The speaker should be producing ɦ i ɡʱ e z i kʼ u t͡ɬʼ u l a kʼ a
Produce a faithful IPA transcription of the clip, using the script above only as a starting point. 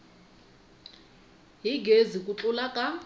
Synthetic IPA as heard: ɦ i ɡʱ e z i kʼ u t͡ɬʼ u l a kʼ a